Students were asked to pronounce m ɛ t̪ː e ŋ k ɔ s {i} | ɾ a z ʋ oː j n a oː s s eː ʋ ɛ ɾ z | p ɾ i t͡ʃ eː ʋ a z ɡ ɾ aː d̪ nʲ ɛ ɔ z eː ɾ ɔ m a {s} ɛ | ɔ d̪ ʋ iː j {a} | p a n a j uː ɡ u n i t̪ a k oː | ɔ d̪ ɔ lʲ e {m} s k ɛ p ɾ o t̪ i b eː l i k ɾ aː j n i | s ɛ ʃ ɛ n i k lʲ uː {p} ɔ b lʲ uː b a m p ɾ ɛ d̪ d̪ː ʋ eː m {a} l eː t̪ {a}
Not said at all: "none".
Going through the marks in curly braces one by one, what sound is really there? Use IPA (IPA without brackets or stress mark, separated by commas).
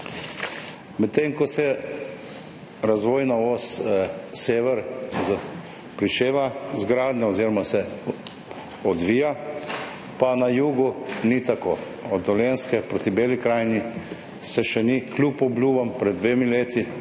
ɛ, s, a, n, p, i, i